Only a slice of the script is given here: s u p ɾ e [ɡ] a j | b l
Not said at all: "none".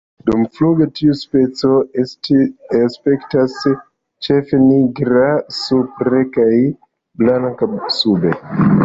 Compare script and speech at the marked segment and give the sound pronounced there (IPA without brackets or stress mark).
k